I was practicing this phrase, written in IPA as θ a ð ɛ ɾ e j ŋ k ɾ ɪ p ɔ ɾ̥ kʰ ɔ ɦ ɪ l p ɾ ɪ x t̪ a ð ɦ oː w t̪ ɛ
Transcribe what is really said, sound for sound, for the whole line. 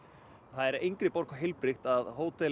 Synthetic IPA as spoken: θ a ð ɛ ɾ e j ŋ k ɾ ɪ p ɔ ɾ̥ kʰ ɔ ɦ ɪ l p ɾ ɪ x t̪ a ð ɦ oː w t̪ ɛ